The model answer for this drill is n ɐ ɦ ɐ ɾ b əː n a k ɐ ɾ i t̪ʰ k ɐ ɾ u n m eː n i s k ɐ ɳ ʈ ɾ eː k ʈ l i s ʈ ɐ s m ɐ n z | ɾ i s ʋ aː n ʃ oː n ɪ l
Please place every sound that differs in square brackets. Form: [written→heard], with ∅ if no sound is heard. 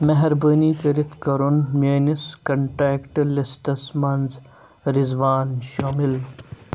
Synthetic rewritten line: [n→m] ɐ ɦ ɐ ɾ b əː n [a→i] k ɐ ɾ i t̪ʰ k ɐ ɾ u n m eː n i s k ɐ ɳ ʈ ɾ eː k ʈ l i s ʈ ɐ s m ɐ n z | ɾ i [s→z] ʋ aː n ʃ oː [n→m] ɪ l